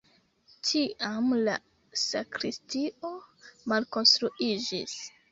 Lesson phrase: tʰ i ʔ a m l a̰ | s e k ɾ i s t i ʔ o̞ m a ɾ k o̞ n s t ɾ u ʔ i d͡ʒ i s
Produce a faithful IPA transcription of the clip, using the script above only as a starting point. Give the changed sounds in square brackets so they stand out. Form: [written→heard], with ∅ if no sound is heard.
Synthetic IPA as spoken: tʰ i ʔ a m l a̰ | s [e→a] k ɾ i s t i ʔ o̞ m a [ɾ→l] k o̞ n s t ɾ u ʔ i d͡ʒ i s